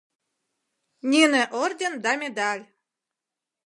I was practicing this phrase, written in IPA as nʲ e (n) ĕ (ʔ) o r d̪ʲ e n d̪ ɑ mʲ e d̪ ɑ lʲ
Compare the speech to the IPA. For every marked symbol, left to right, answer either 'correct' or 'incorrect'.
correct, correct

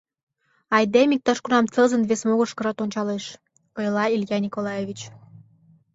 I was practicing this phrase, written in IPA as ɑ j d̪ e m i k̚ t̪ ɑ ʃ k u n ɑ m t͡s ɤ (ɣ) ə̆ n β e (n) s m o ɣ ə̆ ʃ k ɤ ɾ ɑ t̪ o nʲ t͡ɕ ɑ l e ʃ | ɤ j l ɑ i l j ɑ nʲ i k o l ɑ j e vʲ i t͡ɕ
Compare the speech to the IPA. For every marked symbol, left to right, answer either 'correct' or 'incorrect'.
incorrect, incorrect

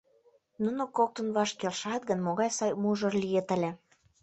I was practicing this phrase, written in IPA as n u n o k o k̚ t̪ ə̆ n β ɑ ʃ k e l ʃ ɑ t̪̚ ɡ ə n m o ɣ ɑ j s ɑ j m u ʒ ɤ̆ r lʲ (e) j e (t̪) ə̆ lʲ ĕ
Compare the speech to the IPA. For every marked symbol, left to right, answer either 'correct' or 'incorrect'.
incorrect, correct

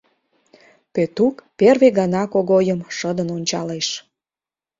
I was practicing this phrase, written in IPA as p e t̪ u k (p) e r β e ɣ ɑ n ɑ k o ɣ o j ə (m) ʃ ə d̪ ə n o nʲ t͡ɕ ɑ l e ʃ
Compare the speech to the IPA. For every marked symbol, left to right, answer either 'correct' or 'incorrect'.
correct, correct

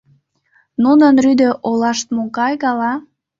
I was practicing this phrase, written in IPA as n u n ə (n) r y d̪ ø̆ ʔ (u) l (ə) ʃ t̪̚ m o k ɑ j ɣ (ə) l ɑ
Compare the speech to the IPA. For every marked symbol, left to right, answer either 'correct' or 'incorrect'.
correct, incorrect, incorrect, incorrect

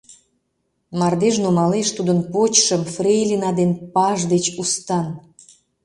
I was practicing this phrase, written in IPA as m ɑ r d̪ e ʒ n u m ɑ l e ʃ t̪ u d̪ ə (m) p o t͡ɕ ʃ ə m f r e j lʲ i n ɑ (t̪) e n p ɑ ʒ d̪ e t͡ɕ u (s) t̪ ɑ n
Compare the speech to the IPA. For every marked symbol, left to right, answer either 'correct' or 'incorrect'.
incorrect, incorrect, correct

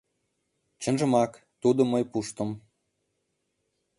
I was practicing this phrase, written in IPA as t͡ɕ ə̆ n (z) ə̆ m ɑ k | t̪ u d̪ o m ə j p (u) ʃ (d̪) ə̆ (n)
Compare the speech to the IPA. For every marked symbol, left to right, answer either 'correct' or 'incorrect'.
incorrect, correct, incorrect, incorrect

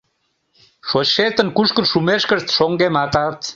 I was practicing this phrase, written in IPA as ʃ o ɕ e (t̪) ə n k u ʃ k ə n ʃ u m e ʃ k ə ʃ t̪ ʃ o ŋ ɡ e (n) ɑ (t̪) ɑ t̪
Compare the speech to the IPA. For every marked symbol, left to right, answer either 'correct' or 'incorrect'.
correct, incorrect, correct

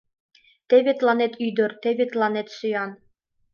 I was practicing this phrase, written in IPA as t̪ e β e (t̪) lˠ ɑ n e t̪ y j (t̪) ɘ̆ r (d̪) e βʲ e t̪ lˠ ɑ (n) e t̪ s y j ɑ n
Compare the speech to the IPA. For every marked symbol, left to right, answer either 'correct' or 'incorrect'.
correct, incorrect, incorrect, correct

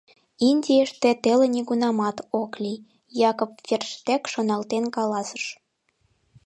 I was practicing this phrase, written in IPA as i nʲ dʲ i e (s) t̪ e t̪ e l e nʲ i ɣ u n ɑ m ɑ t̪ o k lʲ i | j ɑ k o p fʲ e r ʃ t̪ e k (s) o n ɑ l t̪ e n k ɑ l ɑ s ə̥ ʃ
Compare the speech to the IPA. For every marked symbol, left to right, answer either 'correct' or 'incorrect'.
incorrect, incorrect

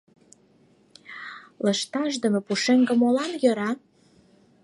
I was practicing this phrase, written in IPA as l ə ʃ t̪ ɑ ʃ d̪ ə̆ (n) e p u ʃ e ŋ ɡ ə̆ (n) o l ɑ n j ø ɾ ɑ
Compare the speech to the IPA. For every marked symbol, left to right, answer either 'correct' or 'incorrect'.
incorrect, incorrect

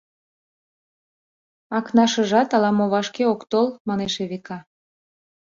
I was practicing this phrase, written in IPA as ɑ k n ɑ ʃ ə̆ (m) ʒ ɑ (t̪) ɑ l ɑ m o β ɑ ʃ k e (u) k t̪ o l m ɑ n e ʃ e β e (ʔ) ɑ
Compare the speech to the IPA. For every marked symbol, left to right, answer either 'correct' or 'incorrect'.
incorrect, correct, incorrect, incorrect

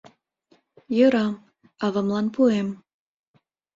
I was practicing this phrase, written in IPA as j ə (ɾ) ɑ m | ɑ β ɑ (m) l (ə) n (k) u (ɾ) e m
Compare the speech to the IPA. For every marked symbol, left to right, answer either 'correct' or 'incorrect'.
correct, correct, incorrect, incorrect, incorrect

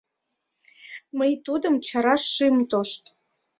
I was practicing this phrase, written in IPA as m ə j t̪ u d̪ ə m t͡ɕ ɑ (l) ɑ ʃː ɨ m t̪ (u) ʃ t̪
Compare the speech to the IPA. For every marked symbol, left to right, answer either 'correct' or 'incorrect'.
incorrect, incorrect

